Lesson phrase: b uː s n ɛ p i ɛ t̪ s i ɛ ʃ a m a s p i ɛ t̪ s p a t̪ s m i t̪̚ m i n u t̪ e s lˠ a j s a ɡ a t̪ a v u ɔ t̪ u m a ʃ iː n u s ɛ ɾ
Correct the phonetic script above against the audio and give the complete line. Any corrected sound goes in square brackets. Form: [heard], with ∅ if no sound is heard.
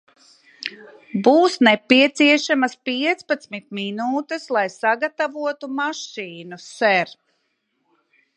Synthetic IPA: b uː s n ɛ p i ɛ t̪ s i ɛ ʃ a m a s p i ɛ t̪ s p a t̪ s m i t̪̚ m i n [uː] t̪ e s lˠ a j s a ɡ a t̪ a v u ɔ t̪ u m a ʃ iː n u s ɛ ɾ